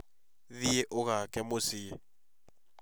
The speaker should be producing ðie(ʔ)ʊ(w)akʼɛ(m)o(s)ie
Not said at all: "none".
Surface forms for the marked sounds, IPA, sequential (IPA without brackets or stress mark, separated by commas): ʔ, ɣ, m, s